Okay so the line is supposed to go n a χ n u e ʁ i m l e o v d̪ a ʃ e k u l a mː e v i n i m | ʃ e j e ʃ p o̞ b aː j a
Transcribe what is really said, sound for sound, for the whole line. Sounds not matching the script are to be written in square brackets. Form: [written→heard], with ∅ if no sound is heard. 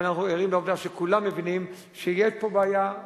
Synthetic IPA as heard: n a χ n u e ʁ i m l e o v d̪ a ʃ e k u l a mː e v i n i m | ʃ e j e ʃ p o̞ b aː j a